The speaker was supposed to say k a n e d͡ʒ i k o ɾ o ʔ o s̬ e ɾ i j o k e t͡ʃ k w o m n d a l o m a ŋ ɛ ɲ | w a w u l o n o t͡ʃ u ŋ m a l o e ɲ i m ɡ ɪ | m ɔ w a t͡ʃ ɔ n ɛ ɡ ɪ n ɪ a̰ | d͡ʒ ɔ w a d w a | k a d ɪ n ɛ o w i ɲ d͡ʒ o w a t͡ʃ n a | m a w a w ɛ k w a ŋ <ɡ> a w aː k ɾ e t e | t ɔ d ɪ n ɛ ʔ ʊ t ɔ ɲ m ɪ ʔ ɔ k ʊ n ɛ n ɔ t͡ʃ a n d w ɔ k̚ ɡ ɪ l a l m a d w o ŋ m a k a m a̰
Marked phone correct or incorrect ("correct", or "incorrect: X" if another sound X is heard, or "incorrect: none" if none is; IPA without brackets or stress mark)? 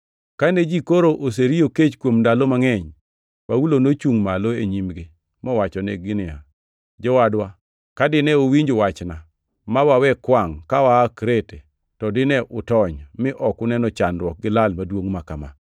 incorrect: k